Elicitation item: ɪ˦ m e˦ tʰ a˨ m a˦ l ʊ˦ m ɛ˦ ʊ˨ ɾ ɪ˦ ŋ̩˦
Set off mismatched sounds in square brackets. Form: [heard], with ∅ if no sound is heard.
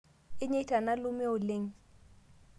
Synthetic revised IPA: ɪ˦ [ɲ] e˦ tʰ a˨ [n] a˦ l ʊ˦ m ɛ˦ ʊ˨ [l] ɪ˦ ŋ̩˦

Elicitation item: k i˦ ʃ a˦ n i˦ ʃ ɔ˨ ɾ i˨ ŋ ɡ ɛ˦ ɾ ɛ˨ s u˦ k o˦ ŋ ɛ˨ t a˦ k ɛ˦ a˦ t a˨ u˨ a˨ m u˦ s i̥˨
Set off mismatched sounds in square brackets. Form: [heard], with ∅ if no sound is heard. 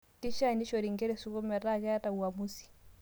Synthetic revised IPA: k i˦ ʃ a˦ n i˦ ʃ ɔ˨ ɾ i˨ ŋ ɡ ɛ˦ ɾ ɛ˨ s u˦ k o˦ [m] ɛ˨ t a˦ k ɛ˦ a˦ t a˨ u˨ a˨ m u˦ s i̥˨

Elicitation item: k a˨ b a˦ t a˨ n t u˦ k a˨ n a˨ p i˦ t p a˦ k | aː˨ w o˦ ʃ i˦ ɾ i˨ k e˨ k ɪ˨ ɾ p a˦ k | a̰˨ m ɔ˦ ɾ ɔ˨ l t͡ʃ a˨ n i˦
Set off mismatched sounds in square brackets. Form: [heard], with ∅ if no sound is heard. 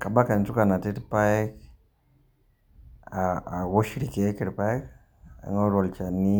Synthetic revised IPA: k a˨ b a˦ [k] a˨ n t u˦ k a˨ n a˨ [t] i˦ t p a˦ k | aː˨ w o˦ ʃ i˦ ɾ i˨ k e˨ k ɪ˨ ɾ p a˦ k | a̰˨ [ŋ] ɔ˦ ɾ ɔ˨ l t͡ʃ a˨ n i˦

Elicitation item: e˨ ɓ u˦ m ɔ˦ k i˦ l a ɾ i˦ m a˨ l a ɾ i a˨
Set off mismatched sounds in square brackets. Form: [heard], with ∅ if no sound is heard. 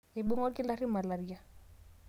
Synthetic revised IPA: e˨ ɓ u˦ [ŋ] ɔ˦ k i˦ l a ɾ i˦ m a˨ l a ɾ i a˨

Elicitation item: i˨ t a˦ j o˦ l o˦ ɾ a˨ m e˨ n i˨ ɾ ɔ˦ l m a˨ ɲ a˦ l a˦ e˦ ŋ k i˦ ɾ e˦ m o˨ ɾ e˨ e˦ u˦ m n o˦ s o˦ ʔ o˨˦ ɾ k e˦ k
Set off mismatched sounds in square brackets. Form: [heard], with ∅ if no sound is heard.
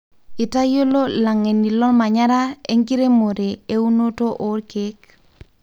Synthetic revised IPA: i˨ t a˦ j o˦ l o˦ [l] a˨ [ŋ] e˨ n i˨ [l] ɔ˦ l m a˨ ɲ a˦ [ɾ] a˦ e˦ ŋ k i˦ ɾ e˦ m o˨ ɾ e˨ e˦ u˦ [∅] n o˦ [t] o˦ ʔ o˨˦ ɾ k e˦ k

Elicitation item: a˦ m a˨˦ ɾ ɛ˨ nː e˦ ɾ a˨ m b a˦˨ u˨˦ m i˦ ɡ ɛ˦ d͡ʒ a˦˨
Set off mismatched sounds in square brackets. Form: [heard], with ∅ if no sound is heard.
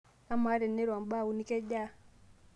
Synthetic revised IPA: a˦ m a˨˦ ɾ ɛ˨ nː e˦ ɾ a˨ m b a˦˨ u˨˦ [n] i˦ [k] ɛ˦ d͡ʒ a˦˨

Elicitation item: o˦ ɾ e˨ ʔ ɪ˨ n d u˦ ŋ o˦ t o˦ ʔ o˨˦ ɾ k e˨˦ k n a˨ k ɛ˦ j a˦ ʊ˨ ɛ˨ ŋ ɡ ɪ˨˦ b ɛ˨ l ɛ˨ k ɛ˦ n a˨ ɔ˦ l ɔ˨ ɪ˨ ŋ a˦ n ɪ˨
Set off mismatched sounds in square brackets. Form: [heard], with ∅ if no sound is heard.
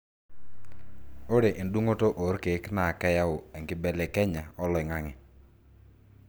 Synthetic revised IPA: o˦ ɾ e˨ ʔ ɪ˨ n d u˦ ŋ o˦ t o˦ ʔ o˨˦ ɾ k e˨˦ k n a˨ k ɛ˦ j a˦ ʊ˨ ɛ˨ ŋ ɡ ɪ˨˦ b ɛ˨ l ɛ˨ k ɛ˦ [ɲ] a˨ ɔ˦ l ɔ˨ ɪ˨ ŋ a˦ [ŋ] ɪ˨

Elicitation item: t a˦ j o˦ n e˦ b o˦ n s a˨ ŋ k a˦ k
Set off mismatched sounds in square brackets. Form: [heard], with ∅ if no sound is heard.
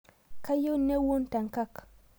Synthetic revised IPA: [k] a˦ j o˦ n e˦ [w] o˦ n [t] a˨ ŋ k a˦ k

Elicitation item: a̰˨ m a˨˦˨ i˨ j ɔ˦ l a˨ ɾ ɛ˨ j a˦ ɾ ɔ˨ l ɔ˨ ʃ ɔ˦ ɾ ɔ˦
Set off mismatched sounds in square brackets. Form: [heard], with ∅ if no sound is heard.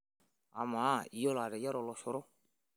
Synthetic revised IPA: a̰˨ m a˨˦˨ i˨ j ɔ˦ l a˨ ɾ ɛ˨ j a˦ ɾ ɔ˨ l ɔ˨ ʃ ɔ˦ ɾ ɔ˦

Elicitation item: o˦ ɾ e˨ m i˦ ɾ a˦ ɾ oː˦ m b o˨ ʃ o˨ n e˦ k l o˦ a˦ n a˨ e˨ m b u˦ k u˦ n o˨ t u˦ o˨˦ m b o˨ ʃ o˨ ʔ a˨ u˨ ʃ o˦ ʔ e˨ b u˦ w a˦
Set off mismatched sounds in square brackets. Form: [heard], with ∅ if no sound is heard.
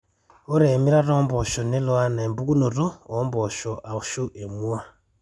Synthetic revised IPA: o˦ ɾ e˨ m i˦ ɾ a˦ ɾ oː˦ m b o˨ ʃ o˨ n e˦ [∅] l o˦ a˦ n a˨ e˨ m b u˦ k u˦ n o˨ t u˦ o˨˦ m b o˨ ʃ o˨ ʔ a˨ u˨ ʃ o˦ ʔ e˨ [m] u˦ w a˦

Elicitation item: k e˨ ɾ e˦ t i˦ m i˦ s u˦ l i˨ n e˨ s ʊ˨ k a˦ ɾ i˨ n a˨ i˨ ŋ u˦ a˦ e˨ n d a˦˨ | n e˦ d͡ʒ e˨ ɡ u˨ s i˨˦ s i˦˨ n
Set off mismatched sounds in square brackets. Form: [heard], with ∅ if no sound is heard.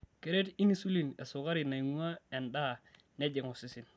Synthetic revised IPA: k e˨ ɾ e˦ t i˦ [n] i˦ s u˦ l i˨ n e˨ s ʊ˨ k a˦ ɾ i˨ n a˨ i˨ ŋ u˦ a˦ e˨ n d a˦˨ | n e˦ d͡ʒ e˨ [ŋ] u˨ s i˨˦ s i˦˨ n

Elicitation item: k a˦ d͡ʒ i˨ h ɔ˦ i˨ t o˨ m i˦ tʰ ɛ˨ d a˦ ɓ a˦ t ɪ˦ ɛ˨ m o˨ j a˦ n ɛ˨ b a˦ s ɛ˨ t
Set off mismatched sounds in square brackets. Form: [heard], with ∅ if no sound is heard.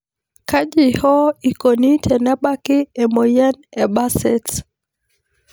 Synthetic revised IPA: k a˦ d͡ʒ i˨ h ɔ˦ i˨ [k] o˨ [n] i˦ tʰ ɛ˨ [n] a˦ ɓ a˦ [k] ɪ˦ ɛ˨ m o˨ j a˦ n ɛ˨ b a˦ s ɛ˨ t

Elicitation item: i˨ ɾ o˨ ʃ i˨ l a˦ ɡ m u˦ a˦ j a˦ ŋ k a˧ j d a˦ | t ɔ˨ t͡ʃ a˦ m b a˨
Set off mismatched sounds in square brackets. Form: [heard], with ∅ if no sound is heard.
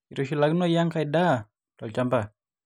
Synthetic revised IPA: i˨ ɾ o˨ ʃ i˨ l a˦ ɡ [n] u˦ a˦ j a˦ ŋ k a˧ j d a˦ | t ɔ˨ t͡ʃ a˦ m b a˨

